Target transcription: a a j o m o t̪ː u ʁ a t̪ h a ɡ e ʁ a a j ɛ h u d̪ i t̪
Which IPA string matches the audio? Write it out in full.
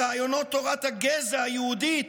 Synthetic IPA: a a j o n o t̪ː o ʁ a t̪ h a ɡ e z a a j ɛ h u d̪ i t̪